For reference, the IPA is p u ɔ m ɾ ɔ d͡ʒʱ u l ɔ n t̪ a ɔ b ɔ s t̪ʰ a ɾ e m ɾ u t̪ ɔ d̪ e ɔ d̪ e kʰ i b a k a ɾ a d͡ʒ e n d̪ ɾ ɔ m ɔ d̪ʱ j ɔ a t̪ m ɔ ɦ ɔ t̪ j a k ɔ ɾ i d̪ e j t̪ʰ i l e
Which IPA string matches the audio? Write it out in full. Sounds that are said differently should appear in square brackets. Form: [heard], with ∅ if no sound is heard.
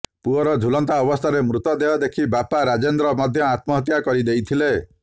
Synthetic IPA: p u ɔ [∅] ɾ ɔ d͡ʒʱ u l ɔ n t̪ a ɔ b ɔ s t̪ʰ a ɾ e m ɾ u t̪ ɔ d̪ e ɔ d̪ e kʰ i b a [p] a ɾ a d͡ʒ e n d̪ ɾ ɔ m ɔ d̪ʱ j ɔ a t̪ m ɔ ɦ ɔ t̪ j a k ɔ ɾ i d̪ e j t̪ʰ i l e